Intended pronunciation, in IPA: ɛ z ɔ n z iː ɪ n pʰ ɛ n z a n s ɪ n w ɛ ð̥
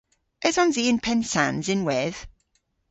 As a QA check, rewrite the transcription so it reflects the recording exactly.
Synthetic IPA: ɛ z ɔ n z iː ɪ n pʰ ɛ n s a n z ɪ n w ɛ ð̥